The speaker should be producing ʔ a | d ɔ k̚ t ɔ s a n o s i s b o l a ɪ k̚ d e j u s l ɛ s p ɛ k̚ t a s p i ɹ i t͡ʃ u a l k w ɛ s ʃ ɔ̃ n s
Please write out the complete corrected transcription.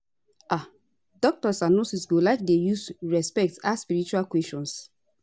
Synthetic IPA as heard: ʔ a | d ɔ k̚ t ɔ s a n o s i s ɡ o l a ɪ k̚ d e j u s ɹ ɛ s p ɛ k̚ t a s p i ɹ i t͡ʃ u a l k w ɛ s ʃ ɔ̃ n s